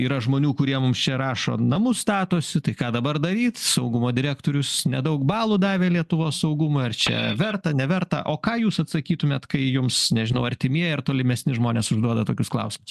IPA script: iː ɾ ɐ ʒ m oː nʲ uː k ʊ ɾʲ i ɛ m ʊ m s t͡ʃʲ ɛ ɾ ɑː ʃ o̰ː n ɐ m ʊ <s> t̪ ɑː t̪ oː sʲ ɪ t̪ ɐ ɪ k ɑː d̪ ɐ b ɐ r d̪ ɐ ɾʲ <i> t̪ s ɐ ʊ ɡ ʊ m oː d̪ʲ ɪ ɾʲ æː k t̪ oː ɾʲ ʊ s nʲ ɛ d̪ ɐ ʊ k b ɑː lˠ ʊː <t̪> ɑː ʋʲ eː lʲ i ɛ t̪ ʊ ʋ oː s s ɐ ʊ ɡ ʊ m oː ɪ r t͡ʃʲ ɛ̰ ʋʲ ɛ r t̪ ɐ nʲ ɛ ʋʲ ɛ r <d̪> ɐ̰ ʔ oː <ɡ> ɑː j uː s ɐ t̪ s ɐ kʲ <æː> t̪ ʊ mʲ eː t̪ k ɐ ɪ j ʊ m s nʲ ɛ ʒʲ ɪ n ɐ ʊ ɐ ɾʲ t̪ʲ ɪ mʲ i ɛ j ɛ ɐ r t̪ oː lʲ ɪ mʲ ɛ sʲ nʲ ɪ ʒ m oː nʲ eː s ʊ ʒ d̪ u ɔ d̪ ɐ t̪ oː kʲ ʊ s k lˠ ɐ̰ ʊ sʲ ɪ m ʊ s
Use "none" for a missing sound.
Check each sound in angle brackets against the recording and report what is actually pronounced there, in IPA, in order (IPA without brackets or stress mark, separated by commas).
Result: s, iː, d̪, t̪, k, iː